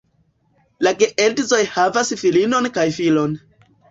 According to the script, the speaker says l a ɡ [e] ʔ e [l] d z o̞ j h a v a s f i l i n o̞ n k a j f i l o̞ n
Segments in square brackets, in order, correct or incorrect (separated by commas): correct, correct